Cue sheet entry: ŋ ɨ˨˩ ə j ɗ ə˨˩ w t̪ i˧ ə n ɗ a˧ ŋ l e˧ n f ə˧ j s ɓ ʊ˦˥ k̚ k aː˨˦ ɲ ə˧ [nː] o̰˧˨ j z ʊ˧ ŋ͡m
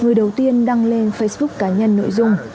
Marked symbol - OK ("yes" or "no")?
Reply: yes